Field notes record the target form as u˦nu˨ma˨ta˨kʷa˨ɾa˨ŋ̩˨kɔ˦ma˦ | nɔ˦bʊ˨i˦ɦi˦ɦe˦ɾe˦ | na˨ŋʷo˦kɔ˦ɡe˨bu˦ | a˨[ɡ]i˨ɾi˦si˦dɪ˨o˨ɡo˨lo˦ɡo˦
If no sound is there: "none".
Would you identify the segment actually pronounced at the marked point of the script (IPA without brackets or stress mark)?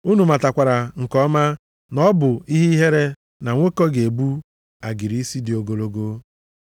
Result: ɡ